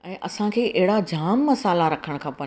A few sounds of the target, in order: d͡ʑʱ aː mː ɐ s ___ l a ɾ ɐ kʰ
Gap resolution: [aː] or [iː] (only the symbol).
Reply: aː